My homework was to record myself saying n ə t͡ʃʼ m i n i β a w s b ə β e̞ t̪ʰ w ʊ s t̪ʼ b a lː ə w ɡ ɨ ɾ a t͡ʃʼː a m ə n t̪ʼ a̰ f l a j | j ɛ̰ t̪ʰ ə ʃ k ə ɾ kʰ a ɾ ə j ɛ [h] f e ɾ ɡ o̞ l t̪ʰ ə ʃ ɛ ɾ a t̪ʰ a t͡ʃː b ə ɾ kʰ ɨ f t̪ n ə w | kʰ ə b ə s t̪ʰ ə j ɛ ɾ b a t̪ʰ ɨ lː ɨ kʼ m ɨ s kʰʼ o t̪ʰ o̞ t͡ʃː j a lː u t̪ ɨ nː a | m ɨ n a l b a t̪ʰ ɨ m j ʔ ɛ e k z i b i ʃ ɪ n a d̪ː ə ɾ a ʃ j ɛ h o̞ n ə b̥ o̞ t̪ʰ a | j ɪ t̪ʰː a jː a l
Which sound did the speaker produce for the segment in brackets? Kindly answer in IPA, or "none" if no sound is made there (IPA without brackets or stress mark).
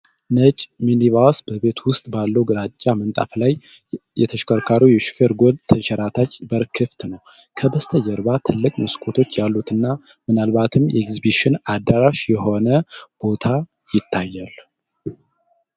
ʃ